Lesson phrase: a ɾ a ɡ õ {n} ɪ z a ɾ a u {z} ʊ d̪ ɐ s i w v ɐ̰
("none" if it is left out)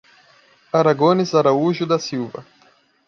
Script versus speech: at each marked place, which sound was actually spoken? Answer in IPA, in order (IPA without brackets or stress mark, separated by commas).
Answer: n, ʒ